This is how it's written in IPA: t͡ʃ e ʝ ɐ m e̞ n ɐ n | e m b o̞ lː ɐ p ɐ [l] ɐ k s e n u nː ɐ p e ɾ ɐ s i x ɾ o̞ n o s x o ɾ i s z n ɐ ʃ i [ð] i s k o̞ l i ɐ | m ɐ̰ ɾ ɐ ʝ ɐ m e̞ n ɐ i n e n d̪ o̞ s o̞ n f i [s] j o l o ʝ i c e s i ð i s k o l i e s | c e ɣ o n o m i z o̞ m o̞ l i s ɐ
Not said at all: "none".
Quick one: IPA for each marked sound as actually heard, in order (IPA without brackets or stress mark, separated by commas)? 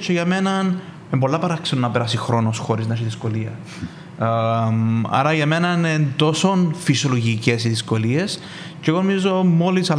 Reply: ɾ, ð, s